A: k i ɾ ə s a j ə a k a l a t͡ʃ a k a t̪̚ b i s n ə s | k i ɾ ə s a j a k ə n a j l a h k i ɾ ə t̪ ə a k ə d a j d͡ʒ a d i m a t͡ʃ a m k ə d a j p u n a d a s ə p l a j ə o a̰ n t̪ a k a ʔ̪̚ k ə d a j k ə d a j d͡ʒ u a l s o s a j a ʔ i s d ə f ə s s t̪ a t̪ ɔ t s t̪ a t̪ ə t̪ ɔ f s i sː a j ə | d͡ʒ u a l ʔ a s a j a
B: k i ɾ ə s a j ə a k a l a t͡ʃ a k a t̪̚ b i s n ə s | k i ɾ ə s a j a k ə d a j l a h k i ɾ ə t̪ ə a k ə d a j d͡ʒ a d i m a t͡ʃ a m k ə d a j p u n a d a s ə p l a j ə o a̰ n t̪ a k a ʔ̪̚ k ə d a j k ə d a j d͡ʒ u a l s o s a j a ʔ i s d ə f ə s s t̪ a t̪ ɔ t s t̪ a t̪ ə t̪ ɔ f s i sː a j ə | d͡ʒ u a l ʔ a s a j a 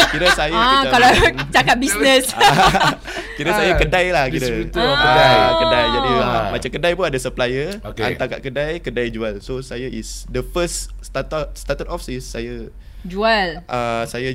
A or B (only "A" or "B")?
B